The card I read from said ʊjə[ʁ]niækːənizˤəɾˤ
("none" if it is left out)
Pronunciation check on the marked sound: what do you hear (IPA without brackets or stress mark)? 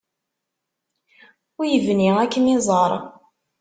v